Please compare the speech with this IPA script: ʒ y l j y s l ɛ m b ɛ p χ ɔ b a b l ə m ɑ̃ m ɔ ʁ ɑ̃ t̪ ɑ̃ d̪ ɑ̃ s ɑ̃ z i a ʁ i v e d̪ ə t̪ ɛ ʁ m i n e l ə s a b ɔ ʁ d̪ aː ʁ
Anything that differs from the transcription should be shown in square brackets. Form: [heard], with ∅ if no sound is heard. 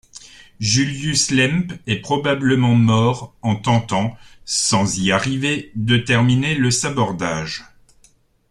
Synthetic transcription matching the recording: ʒ y l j y s l ɛ m [p] ɛ p χ ɔ b a b l ə m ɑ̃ m ɔ ʁ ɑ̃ t̪ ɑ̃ [t̪] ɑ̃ s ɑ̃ z i a ʁ i v e d̪ ə t̪ ɛ ʁ m i n e l ə s a b ɔ ʁ d̪ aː [ʒ]